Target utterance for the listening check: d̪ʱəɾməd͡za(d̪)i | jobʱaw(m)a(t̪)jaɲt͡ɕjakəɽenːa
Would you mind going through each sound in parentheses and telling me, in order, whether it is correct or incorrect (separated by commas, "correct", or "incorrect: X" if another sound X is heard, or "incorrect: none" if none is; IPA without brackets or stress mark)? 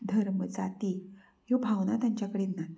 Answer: incorrect: t̪, incorrect: n, correct